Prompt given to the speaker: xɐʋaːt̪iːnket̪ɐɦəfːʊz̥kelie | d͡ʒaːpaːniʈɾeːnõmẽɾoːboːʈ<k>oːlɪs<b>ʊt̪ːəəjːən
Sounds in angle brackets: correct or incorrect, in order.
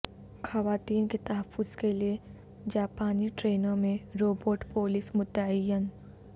incorrect: p, incorrect: m

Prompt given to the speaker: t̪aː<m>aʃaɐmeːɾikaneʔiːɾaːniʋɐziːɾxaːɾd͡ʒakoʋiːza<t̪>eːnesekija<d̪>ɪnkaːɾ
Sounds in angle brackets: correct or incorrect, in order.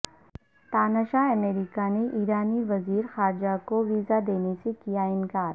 incorrect: n, incorrect: d̪, incorrect: none

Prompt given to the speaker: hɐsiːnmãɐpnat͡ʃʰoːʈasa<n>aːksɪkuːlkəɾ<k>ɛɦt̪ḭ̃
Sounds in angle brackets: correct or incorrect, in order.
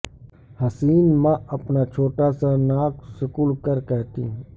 correct, correct

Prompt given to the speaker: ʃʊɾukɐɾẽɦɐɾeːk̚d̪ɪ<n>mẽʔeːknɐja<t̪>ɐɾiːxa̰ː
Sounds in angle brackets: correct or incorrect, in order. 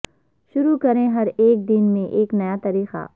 correct, correct

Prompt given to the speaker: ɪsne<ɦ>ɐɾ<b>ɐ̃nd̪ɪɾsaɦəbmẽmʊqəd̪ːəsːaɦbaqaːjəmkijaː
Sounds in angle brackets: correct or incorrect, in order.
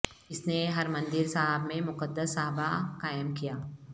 correct, incorrect: m

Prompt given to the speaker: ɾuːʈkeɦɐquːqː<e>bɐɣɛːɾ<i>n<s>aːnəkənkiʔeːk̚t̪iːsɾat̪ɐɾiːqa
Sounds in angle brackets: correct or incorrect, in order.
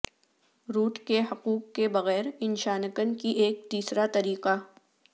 correct, incorrect: ɪ, incorrect: ʃ

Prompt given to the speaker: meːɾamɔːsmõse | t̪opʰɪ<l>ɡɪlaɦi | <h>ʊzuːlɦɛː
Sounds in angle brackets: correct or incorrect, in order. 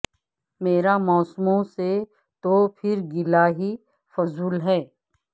incorrect: ɾ, incorrect: f

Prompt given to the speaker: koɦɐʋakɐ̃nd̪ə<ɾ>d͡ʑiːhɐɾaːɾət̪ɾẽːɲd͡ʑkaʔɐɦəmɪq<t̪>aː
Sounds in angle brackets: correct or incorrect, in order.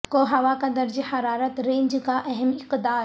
correct, incorrect: d̪

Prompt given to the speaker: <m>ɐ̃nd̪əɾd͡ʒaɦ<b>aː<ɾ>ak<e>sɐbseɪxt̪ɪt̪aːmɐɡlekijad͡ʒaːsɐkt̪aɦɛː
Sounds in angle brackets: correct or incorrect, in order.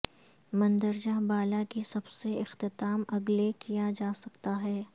correct, correct, incorrect: l, incorrect: i

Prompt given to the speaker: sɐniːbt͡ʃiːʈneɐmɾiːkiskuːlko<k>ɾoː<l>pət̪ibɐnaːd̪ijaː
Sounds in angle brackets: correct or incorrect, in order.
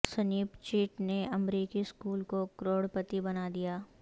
correct, incorrect: ɽ

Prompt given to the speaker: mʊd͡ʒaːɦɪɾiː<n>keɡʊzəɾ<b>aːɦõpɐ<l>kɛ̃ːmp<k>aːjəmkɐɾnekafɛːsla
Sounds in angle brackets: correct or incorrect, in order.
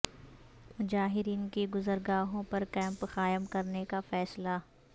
correct, incorrect: ɡ, incorrect: ɾ, incorrect: x

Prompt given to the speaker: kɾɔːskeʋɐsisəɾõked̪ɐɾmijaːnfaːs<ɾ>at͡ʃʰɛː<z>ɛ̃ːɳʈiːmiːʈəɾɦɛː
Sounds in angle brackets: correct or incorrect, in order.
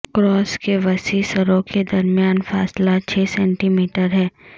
incorrect: l, incorrect: s

